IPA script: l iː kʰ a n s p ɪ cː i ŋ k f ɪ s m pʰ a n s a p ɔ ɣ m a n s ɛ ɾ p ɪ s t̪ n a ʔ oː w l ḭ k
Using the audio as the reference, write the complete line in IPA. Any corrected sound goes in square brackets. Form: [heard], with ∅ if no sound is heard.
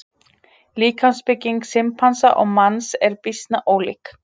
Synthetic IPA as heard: l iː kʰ a n s p ɪ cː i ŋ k [s] ɪ [∅] m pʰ a n s a [ʔ] ɔ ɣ m a n s ɛ ɾ p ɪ s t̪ n a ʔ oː w l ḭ k